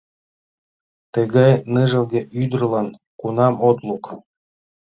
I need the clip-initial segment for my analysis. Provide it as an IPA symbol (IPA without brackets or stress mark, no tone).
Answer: t̪